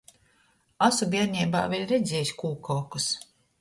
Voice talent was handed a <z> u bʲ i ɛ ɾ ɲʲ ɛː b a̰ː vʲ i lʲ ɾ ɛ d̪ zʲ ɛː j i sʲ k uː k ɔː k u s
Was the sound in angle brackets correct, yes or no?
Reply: no